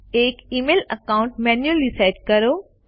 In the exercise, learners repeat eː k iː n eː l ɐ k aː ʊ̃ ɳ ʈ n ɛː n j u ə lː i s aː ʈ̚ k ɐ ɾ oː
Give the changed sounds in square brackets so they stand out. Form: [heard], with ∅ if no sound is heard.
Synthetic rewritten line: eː k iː [m] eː l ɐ k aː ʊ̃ ɳ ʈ [m] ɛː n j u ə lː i s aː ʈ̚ k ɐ ɾ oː